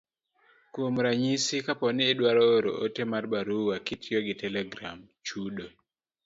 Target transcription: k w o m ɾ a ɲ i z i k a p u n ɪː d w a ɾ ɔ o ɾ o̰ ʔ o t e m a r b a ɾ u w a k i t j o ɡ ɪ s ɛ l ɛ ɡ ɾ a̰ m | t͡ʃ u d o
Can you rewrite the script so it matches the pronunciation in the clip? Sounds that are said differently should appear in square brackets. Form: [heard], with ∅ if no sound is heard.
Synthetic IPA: k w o m ɾ a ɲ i [s] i k a p [ɔ] n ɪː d w a ɾ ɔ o ɾ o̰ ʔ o t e m a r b a ɾ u w a k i t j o ɡ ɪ [t] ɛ l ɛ ɡ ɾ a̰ m | t͡ʃ u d o

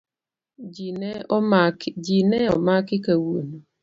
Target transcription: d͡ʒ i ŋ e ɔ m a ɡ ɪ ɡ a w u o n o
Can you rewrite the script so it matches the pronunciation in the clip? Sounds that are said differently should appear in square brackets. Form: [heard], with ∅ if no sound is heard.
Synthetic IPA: d͡ʒ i [n] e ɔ m a [k] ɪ [k] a w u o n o

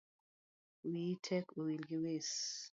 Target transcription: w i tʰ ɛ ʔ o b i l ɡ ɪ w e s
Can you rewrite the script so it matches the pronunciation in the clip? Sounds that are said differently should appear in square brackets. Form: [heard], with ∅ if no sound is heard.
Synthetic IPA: w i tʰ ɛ [k] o [w] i l ɡ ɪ w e s

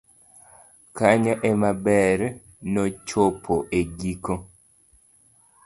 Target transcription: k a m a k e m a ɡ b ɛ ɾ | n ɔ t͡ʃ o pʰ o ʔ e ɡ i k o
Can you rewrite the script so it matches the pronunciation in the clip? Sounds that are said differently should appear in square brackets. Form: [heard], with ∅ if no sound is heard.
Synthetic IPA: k a [ɲ] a [ʔ] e m a [∅] b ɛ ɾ | n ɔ t͡ʃ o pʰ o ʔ e ɡ i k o

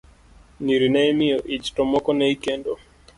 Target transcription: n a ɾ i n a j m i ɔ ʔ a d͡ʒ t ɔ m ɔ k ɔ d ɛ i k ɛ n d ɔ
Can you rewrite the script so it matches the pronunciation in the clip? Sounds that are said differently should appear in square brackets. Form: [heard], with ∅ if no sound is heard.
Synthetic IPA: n [i] ɾ i n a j m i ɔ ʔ [i] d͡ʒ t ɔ m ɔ k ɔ [n] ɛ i k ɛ n d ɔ

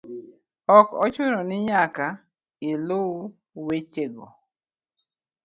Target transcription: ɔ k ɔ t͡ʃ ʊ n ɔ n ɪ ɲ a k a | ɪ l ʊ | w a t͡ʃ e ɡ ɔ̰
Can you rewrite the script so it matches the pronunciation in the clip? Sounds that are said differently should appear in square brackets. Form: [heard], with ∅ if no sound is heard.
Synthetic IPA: ɔ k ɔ t͡ʃ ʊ n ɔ n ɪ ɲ a k a | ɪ l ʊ | w [e] t͡ʃ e ɡ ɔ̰

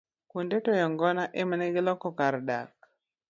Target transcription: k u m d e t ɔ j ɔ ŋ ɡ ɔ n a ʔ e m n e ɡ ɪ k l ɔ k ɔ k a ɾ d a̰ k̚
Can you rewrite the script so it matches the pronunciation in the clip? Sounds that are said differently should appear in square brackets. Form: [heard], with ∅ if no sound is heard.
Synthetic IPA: k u [n] d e t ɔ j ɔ ŋ ɡ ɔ n a ʔ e m n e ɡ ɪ [∅] l ɔ k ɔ k a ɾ d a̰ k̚

